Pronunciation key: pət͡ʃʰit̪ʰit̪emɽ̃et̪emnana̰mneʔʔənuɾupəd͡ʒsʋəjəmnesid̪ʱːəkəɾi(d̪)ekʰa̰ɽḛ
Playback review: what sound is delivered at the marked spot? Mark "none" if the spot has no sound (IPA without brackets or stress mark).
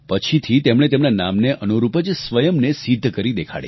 d̪